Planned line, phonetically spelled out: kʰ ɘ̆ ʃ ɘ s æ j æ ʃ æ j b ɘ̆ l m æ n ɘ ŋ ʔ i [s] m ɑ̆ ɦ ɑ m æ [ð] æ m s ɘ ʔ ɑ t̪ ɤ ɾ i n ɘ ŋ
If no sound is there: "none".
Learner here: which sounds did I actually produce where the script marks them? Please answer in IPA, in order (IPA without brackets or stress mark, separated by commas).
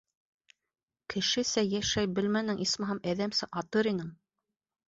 s, ð